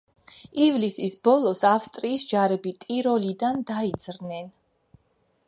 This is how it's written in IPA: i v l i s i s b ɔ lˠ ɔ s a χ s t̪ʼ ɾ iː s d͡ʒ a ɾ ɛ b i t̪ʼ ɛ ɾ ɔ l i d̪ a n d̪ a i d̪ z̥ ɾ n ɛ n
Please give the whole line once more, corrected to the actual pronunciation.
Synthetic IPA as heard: i v l i s i s b ɔ lˠ ɔ s a f s t̪ʼ ɾ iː s d͡ʒ a ɾ ɛ b i t̪ʼ i ɾ ɔ l i d̪ a n d̪ a i d̪ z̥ ɾ n ɛ n